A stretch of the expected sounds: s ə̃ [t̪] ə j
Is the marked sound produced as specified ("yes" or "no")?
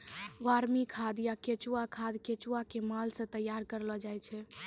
yes